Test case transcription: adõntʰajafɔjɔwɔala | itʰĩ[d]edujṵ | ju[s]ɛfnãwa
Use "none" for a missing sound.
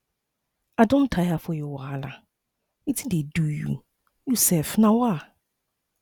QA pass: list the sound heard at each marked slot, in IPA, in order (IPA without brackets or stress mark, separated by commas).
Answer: d, s